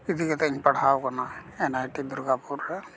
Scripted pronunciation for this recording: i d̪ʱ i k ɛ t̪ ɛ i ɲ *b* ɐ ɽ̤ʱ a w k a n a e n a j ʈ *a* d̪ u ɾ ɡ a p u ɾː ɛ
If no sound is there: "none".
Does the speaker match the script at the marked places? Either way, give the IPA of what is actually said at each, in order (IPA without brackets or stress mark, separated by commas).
p, i